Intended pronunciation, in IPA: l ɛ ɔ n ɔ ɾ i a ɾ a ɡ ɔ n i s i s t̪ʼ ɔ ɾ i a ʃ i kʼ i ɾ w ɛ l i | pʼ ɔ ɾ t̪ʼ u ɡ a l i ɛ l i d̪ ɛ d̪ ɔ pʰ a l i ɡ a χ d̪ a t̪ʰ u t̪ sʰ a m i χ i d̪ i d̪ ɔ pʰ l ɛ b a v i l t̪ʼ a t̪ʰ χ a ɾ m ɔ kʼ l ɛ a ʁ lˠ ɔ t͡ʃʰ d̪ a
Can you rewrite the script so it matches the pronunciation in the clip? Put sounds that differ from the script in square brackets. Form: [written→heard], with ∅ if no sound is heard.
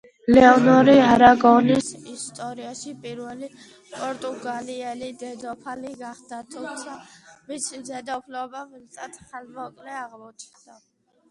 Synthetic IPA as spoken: l ɛ ɔ n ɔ ɾ i a ɾ a ɡ ɔ n i s i s t̪ʼ ɔ ɾ i a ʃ i [kʼ→pʼ] i ɾ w ɛ l i | pʼ ɔ ɾ t̪ʼ u ɡ a l i ɛ l i d̪ ɛ d̪ ɔ pʰ a l i ɡ a χ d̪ a t̪ʰ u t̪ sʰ a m i [χ→s] i d̪ [i→ɛ] d̪ ɔ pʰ l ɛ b a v i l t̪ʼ a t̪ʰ χ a [ɾ→l] m ɔ kʼ l ɛ a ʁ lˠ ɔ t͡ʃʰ d̪ a